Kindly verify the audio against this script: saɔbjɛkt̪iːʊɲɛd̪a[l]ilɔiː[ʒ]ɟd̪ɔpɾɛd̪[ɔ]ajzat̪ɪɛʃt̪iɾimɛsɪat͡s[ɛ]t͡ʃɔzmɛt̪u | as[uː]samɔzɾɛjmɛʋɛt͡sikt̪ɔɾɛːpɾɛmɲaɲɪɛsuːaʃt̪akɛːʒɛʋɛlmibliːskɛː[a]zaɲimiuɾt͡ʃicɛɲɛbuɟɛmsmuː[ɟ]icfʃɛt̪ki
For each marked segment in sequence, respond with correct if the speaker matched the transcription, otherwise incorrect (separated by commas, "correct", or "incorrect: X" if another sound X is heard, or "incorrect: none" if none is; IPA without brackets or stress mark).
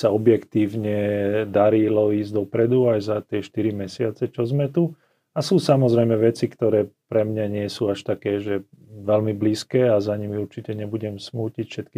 incorrect: ɾ, incorrect: z, incorrect: u, correct, correct, correct, incorrect: c